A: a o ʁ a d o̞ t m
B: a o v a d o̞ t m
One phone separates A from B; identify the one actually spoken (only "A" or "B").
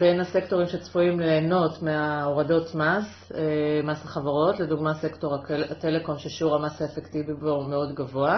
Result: A